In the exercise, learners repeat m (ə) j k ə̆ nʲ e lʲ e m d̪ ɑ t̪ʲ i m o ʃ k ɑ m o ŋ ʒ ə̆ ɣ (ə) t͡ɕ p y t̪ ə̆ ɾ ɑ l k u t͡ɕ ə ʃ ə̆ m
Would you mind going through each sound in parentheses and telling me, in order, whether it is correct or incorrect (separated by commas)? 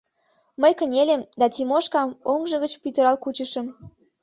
correct, correct